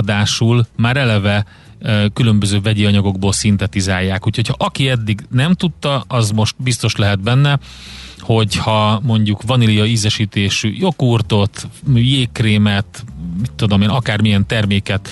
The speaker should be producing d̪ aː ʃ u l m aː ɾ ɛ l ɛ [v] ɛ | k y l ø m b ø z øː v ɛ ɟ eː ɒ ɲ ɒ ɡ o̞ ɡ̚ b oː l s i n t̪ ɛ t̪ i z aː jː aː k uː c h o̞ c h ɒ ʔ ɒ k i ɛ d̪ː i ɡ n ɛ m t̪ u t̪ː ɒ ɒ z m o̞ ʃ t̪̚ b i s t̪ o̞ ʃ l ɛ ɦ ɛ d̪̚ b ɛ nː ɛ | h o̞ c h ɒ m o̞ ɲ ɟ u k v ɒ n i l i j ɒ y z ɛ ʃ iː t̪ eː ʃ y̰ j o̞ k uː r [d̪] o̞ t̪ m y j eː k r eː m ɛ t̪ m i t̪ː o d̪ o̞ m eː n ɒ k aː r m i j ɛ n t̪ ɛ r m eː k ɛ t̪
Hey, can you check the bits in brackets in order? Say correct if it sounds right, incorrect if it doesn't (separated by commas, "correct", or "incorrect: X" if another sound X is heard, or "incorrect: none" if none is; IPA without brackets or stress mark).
correct, incorrect: t̪